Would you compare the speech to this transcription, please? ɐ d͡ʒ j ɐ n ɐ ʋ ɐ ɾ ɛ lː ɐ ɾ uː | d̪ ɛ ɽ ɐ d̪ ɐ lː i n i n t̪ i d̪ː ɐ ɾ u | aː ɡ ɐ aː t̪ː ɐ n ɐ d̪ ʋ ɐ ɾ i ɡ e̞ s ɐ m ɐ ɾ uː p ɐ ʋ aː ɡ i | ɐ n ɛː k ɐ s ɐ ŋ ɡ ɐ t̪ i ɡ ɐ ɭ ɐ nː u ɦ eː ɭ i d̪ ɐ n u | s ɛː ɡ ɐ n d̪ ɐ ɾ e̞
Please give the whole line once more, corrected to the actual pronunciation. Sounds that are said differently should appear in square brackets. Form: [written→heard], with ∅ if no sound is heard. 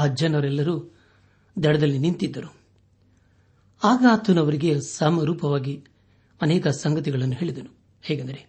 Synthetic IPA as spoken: ɐ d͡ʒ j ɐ n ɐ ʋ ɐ ɾ ɛ lː ɐ ɾ uː | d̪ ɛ ɽ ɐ d̪ ɐ lː i n i n t̪ i d̪ː ɐ ɾ u | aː ɡ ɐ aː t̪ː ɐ n ɐ [d̪→∅] ʋ ɐ ɾ i ɡ e̞ s ɐ m ɐ ɾ uː p ɐ ʋ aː ɡ i | ɐ n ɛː k ɐ s ɐ ŋ ɡ ɐ t̪ i ɡ ɐ ɭ ɐ nː u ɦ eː ɭ i d̪ ɐ n u | [s→h] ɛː ɡ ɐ n d̪ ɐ ɾ e̞